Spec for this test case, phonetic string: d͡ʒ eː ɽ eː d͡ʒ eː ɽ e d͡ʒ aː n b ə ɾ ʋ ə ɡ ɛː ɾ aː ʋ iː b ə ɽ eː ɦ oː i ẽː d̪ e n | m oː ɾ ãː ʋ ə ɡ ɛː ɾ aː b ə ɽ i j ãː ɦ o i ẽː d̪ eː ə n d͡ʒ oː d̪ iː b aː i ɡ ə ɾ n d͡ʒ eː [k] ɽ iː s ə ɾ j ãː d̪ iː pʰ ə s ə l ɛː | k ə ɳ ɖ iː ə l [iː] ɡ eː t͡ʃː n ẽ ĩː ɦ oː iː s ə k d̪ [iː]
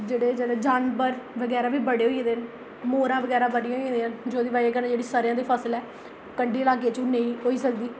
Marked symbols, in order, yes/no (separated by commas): no, no, yes